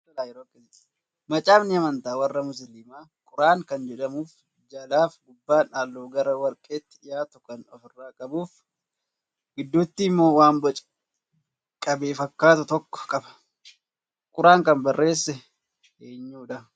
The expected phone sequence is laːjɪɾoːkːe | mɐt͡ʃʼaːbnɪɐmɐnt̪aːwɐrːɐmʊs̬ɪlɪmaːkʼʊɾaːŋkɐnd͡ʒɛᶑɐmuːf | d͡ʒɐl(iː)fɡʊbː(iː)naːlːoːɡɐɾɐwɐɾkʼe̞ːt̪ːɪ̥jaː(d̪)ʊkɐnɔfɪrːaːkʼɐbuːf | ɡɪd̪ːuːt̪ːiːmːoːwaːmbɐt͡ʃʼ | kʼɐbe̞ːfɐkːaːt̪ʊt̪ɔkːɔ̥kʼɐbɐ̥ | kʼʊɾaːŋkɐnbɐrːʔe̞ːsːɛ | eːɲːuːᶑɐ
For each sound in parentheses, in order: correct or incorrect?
incorrect, incorrect, incorrect

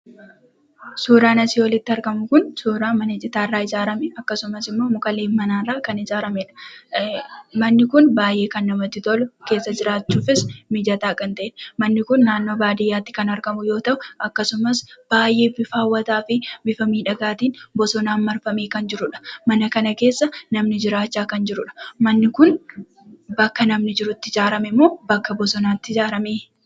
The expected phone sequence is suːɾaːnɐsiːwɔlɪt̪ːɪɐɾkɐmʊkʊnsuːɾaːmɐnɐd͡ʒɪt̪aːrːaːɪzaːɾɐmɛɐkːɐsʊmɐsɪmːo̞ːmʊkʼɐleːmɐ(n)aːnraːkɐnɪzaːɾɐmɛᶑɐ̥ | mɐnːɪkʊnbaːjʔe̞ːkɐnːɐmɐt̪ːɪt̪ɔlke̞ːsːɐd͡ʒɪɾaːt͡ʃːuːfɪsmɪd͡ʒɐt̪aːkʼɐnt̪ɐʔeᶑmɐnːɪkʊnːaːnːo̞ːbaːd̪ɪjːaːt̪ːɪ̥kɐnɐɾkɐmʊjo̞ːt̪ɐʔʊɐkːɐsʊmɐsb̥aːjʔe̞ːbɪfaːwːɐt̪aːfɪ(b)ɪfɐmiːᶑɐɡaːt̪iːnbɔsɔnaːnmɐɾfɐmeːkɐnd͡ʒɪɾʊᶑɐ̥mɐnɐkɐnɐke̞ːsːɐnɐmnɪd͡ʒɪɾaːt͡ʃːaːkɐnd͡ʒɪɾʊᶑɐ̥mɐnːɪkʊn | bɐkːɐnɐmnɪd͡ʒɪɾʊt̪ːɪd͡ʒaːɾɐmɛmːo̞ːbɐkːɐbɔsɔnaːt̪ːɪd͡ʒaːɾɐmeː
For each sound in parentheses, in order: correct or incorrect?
correct, correct

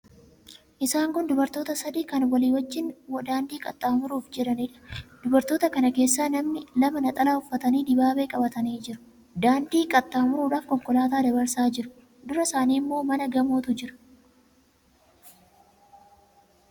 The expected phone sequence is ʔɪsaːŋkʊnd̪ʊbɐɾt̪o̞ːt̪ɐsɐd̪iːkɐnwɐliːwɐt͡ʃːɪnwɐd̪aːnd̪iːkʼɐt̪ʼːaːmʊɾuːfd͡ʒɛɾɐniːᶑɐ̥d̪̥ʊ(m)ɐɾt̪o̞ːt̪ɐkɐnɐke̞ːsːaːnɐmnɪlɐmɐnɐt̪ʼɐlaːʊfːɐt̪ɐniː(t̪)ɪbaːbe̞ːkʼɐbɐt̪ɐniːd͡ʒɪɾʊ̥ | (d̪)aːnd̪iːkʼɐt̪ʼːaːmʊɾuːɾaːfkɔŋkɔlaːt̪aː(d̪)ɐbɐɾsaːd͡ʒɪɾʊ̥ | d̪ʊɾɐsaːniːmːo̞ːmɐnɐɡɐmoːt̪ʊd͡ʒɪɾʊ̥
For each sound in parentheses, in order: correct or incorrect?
incorrect, incorrect, correct, correct

